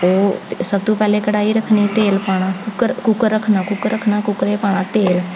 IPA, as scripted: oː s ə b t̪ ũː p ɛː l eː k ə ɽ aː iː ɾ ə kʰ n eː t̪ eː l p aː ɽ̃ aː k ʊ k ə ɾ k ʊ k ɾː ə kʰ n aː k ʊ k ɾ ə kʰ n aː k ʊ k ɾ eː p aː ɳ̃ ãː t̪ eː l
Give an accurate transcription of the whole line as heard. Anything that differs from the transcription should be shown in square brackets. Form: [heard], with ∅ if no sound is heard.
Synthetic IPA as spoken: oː s ə b t̪ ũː p ɛː l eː k ə ɽ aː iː ɾ ə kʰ n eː t̪ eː l p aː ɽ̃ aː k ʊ k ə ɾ k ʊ k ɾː ə kʰ n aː k ʊ k ɾ ə kʰ n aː k ʊ k ɾ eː p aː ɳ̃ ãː t̪ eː l